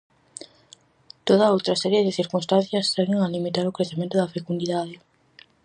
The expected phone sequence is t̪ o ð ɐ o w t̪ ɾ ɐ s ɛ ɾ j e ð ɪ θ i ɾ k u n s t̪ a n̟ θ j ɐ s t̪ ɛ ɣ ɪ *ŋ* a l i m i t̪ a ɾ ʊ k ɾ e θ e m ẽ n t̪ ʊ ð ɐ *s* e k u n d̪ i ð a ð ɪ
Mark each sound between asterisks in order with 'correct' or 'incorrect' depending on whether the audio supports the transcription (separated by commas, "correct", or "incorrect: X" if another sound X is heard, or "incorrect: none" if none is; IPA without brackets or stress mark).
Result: correct, incorrect: f